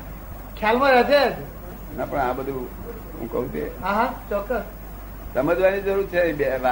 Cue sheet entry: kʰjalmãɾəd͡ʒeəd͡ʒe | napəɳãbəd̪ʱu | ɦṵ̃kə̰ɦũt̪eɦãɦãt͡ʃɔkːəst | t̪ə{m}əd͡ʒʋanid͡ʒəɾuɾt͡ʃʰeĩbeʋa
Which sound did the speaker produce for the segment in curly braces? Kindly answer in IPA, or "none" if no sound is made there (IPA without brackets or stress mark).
m